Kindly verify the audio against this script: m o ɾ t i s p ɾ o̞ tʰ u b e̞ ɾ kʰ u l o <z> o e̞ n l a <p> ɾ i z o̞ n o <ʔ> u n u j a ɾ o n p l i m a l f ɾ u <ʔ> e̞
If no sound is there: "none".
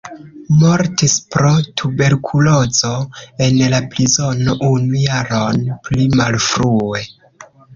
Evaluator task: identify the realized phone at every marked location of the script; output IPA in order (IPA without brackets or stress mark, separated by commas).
z, p, ʔ, none